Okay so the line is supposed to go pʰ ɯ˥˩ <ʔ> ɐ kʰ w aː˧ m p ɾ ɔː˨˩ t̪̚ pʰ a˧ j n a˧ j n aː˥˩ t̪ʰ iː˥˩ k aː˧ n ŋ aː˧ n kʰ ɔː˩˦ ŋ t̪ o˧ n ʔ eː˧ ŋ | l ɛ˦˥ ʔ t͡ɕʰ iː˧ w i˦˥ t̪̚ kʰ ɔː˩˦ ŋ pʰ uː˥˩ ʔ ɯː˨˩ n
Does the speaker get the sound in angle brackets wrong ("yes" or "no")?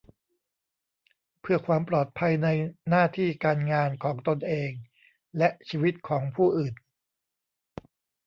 yes